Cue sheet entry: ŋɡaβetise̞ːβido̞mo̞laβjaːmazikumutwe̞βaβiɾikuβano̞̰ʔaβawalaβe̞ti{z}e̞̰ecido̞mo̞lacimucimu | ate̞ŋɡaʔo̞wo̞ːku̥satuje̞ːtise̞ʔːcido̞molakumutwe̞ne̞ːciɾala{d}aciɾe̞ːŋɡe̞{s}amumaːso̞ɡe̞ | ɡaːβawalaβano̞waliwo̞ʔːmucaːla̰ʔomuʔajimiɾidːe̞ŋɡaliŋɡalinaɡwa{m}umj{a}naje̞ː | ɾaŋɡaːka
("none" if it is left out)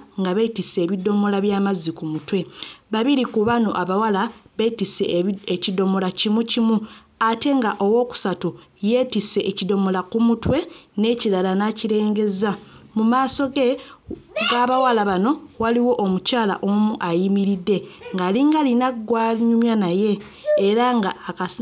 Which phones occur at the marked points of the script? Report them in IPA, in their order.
s, n, z, ɲ, a

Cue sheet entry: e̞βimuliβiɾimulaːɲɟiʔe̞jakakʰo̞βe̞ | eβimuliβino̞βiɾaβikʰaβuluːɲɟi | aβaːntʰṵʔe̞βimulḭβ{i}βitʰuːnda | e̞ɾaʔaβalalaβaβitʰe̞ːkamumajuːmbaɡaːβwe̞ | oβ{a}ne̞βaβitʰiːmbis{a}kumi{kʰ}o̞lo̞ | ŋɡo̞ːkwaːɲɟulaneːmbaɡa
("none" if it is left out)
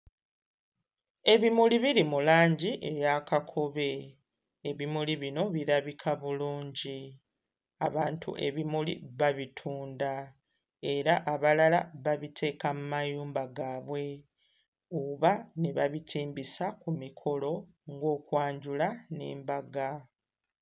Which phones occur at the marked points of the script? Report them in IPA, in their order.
a, a, a, kʰ

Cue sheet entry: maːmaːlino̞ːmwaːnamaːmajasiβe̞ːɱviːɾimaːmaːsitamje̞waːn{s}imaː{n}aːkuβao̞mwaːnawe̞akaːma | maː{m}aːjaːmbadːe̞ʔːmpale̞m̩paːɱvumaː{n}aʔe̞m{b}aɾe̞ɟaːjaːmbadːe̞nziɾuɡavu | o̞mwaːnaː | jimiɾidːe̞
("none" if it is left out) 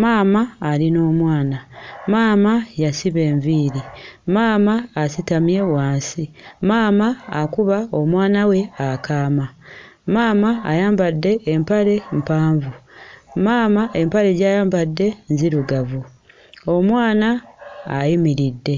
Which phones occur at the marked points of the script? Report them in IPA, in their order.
s, m, m, m, p

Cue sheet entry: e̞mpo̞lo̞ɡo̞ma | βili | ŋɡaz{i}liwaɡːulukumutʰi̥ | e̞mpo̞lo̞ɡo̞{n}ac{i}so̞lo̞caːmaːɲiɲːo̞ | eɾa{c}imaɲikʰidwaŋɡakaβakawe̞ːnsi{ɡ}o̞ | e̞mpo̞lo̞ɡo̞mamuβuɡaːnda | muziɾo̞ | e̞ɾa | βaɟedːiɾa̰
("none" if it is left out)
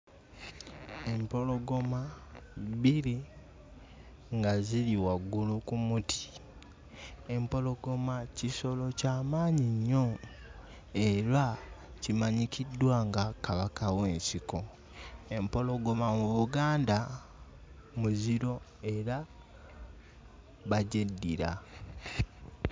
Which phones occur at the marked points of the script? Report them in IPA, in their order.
i, m, i, c, k

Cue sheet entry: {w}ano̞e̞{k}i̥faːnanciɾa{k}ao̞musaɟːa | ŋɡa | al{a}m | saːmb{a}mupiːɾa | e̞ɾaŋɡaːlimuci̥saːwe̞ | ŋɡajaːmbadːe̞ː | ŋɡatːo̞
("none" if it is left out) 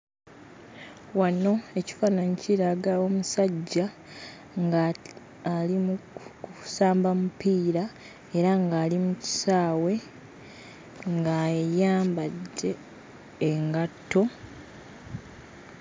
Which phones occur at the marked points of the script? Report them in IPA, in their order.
w, c, ɡ, i, a

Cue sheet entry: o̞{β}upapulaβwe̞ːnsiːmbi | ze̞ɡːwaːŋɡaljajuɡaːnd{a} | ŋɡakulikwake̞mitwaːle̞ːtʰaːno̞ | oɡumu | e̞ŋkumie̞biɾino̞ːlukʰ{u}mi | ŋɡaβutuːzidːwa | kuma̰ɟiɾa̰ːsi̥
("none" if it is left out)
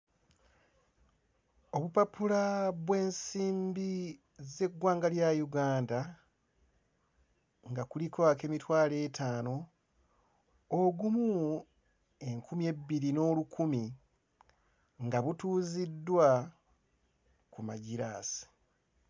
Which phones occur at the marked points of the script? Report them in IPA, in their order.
β, a, u

